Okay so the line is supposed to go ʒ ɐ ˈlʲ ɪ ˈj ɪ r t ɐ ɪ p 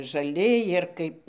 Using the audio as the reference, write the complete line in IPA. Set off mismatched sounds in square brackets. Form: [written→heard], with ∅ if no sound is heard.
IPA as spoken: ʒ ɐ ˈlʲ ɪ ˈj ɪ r [t→k] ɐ ɪ p

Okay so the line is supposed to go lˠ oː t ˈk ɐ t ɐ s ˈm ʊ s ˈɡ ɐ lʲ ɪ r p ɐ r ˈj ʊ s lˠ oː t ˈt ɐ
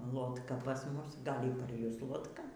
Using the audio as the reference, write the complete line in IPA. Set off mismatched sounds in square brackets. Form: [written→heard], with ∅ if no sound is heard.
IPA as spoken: lˠ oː t ˈk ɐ [t→p] ɐ s ˈm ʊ s ˈɡ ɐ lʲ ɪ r p ɐ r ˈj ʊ s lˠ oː t [ˈt→ˈk] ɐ

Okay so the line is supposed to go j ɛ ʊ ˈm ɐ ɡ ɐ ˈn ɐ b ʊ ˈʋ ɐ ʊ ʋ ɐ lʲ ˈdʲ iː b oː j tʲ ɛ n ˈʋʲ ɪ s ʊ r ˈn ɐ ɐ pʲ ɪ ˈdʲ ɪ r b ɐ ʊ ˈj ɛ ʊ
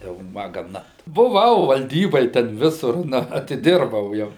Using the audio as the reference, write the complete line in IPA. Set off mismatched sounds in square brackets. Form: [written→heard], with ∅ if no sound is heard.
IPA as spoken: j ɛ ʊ ˈm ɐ ɡ ɐ ˈn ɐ b ʊ ˈʋ ɐ ʊ ʋ ɐ lʲ ˈdʲ iː b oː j tʲ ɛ n ˈʋʲ ɪ s ʊ r ˈn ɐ ɐ [pʲ→tʲ] ɪ ˈdʲ ɪ r b ɐ ʊ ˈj ɛ ʊ

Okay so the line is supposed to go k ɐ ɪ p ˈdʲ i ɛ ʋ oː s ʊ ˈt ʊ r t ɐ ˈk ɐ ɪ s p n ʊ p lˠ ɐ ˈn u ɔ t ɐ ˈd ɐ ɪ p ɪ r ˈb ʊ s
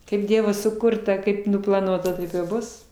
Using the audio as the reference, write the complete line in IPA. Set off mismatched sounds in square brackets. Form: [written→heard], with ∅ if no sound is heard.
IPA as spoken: k ɐ ɪ p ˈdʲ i ɛ ʋ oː s ʊ [ˈt→ˈk] ʊ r t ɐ ˈk ɐ ɪ [s→∅] p n ʊ p lˠ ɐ ˈn u ɔ t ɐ [ˈd→ˈt] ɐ ɪ p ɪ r ˈb ʊ s

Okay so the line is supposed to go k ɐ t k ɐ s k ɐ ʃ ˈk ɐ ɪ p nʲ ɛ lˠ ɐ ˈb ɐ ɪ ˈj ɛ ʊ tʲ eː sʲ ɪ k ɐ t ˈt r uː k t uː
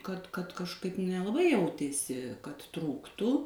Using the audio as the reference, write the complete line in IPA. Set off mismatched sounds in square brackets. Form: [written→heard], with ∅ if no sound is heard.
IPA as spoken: k ɐ t k ɐ [s→t] k ɐ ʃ ˈk ɐ ɪ p nʲ ɛ lˠ ɐ ˈb ɐ ɪ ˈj ɛ ʊ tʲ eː sʲ ɪ k ɐ t ˈt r uː k t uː

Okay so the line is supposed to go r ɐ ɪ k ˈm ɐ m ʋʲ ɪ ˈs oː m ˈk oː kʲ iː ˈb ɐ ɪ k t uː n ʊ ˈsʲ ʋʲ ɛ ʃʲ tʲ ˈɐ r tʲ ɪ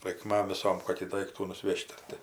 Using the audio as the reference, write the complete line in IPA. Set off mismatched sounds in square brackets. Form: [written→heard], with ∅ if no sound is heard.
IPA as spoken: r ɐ ɪ k ˈm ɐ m ʋʲ ɪ ˈs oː m ˈk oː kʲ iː [ˈb→ˈd] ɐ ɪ k t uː n ʊ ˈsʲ ʋʲ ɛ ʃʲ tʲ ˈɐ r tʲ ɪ

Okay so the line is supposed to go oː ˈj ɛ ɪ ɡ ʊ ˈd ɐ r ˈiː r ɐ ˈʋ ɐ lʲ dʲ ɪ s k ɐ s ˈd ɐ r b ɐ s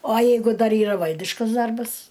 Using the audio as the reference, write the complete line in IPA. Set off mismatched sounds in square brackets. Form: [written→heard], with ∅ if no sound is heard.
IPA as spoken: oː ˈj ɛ ɪ ɡ ʊ ˈd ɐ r ˈiː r ɐ ˈʋ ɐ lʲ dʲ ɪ [s→ʃ] k ɐ s ˈd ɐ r b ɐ s

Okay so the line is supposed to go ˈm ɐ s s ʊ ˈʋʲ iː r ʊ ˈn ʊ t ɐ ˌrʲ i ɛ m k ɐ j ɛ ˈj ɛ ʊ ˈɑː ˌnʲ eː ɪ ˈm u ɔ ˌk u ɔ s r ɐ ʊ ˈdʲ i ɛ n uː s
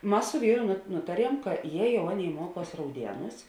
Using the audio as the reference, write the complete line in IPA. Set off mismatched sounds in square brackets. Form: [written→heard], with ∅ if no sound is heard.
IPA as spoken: ˈm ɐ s s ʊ ˈʋʲ iː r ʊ ˈn ʊ t ɐ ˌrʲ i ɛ m k ɐ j ɛ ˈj ɛ ʊ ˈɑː ˌnʲ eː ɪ ˈm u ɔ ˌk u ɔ s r ɐ ʊ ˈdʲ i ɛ n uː s

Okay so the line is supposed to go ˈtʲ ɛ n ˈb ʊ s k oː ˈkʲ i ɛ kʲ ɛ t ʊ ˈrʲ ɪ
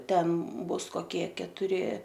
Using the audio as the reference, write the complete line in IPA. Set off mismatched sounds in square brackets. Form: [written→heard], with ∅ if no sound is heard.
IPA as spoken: ˈtʲ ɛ n ˈb ʊ s k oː ˈkʲ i ɛ kʲ ɛ t ʊ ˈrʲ ɪ

